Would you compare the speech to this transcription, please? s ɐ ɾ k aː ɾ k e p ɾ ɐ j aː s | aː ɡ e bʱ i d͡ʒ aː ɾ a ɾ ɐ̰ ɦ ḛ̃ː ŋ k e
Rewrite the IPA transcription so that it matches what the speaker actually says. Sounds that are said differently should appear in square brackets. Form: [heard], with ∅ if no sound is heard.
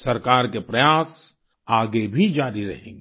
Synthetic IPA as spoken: s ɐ ɾ k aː ɾ k e p ɾ ɐ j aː s | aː ɡ e bʱ i d͡ʒ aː ɾ [i] ɾ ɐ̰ ɦ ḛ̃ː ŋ [ɡ] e